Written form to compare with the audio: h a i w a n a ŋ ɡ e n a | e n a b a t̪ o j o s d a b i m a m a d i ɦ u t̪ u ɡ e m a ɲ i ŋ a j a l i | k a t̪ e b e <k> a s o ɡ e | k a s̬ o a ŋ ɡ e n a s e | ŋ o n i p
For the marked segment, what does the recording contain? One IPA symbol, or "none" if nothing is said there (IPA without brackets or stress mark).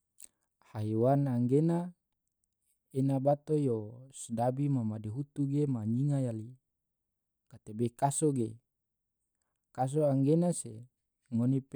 k